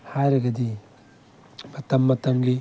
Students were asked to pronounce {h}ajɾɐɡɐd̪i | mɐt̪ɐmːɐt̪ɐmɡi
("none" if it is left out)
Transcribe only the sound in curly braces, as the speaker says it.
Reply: h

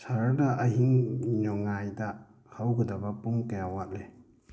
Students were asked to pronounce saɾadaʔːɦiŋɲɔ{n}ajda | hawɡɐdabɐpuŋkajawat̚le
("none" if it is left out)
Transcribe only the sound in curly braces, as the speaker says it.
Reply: ŋ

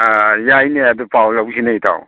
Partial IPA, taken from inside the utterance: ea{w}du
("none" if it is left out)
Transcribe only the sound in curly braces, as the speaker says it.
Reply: none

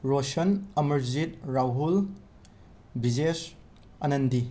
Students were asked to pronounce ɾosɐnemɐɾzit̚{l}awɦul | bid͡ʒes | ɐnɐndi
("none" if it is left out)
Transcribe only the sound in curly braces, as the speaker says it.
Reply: ɾ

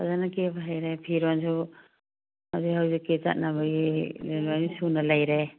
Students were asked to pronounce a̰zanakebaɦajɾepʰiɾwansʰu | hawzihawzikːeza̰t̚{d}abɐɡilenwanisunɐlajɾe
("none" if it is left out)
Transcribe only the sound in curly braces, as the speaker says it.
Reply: n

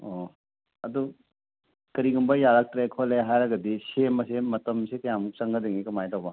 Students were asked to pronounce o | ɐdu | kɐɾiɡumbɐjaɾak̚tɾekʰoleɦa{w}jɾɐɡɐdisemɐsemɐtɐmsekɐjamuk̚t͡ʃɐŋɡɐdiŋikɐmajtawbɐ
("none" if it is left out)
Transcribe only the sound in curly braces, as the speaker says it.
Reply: none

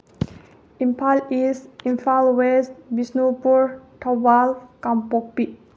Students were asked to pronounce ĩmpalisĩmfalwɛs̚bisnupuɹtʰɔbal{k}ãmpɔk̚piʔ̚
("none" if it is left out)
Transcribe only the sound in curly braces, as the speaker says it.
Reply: k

